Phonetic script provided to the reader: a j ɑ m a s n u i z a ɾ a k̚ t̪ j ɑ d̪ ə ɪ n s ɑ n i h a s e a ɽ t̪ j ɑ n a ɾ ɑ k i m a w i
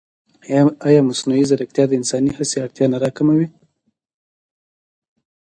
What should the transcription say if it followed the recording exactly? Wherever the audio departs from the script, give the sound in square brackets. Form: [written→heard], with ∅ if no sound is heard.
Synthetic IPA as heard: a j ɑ m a s n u i z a ɾ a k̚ t̪ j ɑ d̪ ə ɪ n s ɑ n i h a s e a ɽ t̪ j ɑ n a ɾ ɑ k [i→a] m a w i